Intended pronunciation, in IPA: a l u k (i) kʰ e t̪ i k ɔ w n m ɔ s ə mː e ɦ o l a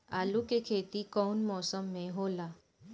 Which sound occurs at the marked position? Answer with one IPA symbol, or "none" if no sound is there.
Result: e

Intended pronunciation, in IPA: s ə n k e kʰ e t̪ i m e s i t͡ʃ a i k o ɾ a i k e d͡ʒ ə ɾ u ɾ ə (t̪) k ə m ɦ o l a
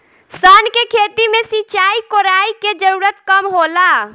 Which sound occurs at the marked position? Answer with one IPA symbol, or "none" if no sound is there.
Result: t̪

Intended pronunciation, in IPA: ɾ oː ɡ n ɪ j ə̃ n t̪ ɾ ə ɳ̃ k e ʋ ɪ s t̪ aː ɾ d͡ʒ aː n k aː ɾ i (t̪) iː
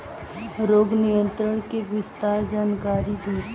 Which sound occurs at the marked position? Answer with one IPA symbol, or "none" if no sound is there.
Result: d̪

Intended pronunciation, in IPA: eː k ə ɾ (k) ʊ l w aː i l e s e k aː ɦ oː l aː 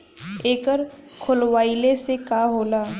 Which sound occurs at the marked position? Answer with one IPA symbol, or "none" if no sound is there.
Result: kʰ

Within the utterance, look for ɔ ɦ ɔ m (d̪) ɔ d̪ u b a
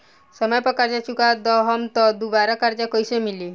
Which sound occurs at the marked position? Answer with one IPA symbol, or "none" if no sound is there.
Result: t̪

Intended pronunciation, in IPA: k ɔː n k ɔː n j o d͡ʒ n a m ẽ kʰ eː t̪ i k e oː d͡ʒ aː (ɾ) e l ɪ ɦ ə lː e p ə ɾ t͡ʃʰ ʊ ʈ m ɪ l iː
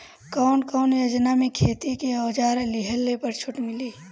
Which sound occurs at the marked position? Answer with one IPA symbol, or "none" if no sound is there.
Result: ɾ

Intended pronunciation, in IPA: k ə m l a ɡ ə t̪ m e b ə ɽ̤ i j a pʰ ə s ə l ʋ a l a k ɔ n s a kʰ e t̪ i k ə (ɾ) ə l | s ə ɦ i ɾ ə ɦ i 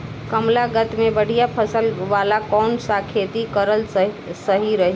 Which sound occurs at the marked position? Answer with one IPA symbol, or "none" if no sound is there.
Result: ɾ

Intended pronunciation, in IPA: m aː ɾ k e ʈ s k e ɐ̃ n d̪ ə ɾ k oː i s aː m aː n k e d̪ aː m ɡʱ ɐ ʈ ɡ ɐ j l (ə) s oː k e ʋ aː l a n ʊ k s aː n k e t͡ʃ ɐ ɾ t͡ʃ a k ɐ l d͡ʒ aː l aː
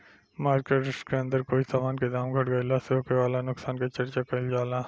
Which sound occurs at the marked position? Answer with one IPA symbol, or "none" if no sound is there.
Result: a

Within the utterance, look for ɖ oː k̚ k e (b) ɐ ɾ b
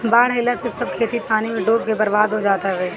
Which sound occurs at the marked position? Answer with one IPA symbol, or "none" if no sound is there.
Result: b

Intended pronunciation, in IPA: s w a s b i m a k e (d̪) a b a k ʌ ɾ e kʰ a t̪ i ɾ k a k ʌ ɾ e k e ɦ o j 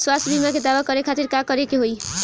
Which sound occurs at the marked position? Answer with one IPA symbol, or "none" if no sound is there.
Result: d̪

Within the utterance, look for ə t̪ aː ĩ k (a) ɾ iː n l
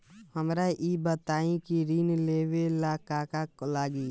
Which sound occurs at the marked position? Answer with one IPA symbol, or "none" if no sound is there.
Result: i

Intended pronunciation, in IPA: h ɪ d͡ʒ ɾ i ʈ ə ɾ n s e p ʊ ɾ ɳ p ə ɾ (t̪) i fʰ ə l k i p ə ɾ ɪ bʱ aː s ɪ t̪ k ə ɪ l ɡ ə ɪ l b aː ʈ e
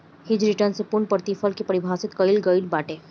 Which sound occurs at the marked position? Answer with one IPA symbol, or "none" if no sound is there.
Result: t̪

